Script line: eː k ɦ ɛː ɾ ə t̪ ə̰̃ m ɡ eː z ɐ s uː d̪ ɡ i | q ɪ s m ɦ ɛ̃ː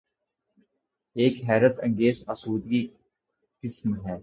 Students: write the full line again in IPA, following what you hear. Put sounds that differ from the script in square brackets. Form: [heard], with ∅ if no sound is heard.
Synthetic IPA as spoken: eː k ɦ ɛː ɾ ə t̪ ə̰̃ [ŋ] ɡ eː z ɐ s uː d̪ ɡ i | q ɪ s m ɦ [ɛː]